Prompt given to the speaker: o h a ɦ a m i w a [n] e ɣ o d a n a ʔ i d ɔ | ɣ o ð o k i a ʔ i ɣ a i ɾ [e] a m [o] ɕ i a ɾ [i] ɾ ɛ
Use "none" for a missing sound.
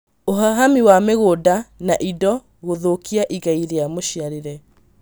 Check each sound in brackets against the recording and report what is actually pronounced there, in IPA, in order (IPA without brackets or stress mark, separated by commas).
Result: m, e, o, e